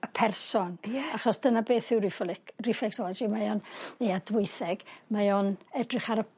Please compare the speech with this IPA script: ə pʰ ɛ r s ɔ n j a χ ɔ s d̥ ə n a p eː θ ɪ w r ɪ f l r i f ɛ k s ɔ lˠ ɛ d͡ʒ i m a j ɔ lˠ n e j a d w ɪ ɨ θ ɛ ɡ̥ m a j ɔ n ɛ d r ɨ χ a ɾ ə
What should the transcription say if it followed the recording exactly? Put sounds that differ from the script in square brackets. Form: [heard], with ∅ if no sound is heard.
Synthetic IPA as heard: ə pʰ ɛ r s ɔ n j a χ ɔ s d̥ ə n a [b] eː θ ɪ w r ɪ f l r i f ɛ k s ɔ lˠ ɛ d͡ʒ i m a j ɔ [∅] n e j a d w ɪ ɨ θ ɛ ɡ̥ m a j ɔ n ɛ d r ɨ χ a ɾ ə